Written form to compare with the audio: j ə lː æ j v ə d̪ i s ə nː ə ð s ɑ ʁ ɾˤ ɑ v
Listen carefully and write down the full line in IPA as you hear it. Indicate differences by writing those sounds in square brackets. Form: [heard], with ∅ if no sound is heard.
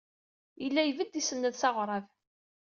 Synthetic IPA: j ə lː æ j v ə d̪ i s ə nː ə ð s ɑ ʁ ɾˤ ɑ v